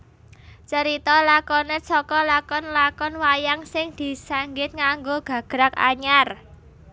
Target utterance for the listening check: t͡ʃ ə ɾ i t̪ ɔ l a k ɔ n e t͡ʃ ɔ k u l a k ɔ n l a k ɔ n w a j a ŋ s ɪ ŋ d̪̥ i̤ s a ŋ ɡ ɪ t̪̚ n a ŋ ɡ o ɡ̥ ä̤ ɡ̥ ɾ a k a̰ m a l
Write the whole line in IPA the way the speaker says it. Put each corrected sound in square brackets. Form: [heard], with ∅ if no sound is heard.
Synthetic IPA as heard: t͡ʃ ə ɾ i t̪ ɔ l a k ɔ n e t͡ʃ ɔ k [ɔ] l a k ɔ n l a k ɔ n w a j a ŋ s ɪ ŋ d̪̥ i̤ s a ŋ ɡ ɪ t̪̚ [ŋ] a ŋ ɡ o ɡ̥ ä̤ ɡ̥ ɾ a k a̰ [ɲ] a [r]